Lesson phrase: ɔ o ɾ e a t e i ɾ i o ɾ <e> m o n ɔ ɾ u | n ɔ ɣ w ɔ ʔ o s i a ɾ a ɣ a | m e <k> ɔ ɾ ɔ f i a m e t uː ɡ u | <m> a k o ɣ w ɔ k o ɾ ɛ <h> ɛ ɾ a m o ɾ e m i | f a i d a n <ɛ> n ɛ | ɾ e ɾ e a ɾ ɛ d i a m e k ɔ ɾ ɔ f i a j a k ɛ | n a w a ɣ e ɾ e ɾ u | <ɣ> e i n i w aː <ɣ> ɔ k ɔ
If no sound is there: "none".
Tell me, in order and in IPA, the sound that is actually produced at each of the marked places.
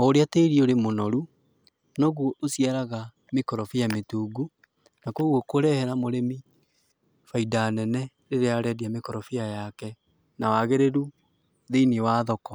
e, k, n, h, ɛ, ð, ð

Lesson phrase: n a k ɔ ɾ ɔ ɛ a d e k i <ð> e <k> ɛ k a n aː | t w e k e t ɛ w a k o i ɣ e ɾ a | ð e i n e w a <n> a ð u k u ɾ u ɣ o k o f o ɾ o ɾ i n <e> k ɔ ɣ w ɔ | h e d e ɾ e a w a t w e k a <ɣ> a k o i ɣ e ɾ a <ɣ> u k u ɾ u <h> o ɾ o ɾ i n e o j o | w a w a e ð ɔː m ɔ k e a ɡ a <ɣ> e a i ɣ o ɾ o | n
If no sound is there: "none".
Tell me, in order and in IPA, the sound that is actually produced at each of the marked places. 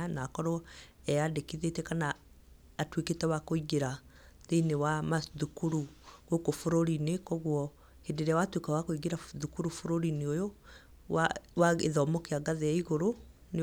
ð, t, m, e, w, ð, f, ð

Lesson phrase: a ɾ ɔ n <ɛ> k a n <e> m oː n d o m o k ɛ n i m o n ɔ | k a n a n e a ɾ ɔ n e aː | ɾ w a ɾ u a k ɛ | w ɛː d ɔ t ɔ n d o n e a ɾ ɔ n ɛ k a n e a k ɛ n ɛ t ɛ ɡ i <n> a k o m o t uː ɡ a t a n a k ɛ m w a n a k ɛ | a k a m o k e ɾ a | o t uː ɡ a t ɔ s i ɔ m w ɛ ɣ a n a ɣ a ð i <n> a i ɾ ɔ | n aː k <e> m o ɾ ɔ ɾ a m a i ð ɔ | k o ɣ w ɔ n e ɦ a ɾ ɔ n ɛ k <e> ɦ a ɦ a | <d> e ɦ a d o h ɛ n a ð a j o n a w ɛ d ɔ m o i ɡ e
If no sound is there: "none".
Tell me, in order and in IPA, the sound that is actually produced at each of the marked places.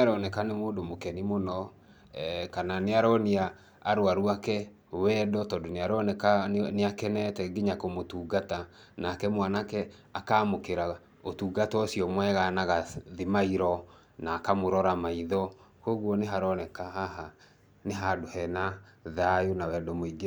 ɛ, e, ɲ, m, a, a, n

